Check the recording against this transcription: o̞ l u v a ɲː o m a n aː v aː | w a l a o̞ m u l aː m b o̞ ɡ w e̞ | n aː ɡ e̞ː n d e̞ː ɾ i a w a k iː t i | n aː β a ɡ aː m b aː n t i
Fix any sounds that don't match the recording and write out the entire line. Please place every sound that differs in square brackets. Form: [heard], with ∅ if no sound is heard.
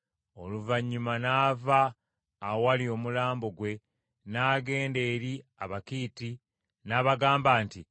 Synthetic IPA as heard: o̞ l u v a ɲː [u] m a n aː v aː | w a l [i] o̞ m u l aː m b o̞ ɡ w e̞ | n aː ɡ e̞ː n d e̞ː ɾ i a [β] a k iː t i | n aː β a ɡ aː m b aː n t i